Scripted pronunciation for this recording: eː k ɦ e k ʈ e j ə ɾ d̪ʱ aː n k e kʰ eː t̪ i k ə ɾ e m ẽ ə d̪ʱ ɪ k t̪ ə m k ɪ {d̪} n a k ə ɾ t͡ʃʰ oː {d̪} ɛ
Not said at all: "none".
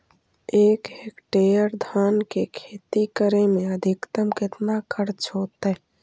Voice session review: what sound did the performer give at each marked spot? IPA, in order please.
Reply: t̪, t̪

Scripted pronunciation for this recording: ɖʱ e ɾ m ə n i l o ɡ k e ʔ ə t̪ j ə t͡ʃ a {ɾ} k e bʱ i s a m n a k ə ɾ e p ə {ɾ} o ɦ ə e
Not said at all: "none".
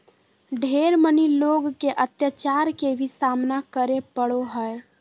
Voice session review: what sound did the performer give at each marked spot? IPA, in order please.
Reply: ɾ, ɽ

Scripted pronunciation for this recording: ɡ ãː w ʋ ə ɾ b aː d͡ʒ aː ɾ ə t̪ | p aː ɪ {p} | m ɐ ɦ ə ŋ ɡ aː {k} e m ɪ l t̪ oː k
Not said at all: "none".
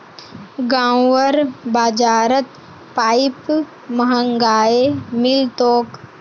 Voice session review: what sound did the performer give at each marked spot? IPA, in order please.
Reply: p, none

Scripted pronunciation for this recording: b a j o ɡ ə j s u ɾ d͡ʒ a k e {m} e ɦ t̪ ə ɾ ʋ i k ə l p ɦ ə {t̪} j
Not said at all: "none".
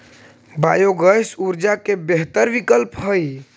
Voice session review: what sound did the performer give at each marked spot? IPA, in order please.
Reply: b, none

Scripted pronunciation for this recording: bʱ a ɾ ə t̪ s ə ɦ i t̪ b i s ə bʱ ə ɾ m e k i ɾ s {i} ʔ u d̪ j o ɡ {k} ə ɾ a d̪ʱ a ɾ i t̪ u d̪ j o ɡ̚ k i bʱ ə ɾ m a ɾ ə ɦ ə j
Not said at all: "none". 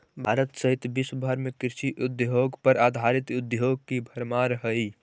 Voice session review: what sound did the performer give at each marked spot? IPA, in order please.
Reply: i, p

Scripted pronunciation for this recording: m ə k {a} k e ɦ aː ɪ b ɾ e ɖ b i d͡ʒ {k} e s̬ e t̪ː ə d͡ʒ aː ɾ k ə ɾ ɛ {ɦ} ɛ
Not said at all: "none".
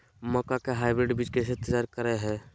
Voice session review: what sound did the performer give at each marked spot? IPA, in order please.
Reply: a, k, ɦ

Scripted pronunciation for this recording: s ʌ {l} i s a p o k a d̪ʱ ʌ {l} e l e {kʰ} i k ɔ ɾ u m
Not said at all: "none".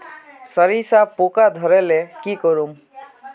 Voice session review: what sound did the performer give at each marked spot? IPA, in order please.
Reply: ɾ, ɾ, k

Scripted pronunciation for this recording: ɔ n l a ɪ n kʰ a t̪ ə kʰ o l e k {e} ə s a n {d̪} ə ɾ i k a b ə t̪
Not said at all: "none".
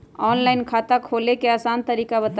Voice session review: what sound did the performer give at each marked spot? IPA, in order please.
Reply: e, t̪

